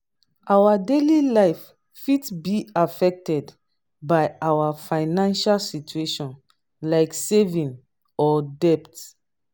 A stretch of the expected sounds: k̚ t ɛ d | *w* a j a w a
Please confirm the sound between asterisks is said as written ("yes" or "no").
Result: no